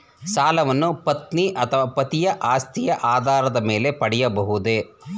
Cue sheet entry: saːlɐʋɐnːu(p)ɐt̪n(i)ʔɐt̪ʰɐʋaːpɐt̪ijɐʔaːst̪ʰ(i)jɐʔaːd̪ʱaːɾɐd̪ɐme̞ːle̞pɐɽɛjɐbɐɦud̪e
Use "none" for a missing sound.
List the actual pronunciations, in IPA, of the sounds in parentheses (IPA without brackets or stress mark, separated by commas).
p, i, i